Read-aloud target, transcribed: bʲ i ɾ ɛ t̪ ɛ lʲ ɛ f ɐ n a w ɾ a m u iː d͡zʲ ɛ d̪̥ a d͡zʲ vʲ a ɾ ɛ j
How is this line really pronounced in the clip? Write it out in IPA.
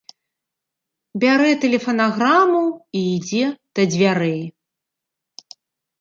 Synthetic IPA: bʲ a ɾ ɛ t̪ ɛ lʲ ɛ f ɐ n a ɣ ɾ a m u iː d͡zʲ ɛ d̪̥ ɐ d͡zʲ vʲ a ɾ ɛ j